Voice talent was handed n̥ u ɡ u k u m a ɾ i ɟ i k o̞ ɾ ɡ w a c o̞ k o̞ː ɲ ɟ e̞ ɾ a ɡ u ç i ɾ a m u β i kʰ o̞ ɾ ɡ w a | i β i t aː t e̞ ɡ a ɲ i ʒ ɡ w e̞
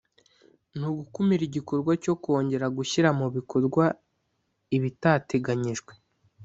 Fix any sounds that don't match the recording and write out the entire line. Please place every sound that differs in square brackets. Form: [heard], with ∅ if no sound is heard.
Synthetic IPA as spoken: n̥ u ɡ u k u m [i] ɾ i ɟ i k o̞ ɾ ɡ w a c o̞ k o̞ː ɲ ɟ e̞ ɾ a ɡ u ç i ɾ a m u β i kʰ o̞ ɾ ɡ w a | i β i t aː t e̞ ɡ a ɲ i ʒ ɡ w e̞

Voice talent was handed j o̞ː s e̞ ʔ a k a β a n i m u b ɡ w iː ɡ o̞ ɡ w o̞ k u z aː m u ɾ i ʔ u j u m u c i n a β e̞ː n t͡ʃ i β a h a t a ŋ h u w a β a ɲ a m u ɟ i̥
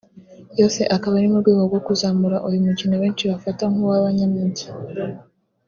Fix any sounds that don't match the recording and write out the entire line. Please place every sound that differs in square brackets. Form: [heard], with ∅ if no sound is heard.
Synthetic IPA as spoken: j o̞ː s e̞ ʔ a k a β a n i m u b ɡ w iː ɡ o̞ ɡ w o̞ k u z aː m u ɾ [a] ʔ u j u m u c i n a β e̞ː n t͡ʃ i β a [f] a t a ŋ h u w a β a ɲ a m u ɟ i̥

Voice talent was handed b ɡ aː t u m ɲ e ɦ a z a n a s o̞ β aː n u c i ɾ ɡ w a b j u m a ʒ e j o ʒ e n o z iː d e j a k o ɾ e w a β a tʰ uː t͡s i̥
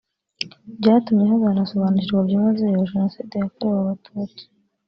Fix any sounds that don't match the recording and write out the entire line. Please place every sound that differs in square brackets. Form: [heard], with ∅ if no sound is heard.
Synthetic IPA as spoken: b [ɟ] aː t u m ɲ e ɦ a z a n a s o̞ β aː n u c i ɾ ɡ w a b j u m a [z] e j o ʒ e n o [s] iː d e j a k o ɾ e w a β a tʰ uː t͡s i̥

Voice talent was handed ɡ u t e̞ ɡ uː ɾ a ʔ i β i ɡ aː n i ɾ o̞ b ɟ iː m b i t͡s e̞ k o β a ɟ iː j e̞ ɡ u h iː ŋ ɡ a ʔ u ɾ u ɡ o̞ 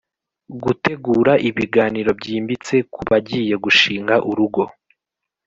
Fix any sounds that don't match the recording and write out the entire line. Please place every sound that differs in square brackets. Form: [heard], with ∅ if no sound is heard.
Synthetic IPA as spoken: ɡ u t e̞ ɡ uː ɾ a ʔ i β i ɡ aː n i ɾ o̞ b ɟ iː m b i t͡s e̞ k [u] β a ɟ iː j e̞ ɡ u [ʃ] iː ŋ ɡ a ʔ u ɾ u ɡ o̞

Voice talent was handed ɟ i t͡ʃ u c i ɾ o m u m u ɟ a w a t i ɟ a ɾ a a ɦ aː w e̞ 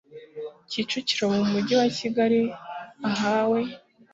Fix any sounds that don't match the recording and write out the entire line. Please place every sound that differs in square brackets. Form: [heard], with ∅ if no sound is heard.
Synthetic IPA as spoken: [c] i t͡ʃ u c i ɾ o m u m u ɟ [i] w a [c] i [ɡ] a ɾ [i] a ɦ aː w e̞

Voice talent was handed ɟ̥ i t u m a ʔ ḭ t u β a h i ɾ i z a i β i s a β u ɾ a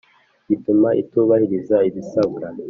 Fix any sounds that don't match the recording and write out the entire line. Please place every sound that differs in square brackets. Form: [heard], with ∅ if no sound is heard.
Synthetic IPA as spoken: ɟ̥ i t u m a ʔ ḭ t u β a h i ɾ i z a i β i s a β u ɾ a

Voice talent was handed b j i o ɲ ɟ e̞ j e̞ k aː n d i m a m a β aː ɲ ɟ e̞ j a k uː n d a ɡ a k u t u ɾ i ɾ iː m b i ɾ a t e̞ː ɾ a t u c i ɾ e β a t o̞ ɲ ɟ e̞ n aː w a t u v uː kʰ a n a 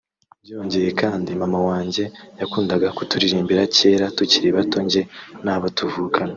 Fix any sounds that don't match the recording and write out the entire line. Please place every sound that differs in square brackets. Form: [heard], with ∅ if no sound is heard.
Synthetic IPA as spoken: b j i o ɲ ɟ e̞ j e̞ k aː n d i m a m a [w] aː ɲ ɟ e̞ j a k uː n d a ɡ a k u t u ɾ i ɾ iː m b i ɾ a [c] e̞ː ɾ a t u c i ɾ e β a t o̞ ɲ ɟ e̞ n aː [β] a t u v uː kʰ a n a

